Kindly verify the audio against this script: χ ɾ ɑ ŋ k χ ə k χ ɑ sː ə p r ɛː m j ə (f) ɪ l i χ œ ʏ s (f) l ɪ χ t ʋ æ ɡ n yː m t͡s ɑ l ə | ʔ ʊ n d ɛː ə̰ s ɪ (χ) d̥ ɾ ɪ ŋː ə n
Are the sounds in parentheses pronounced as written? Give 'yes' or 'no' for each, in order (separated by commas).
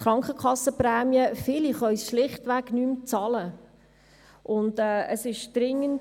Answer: yes, no, no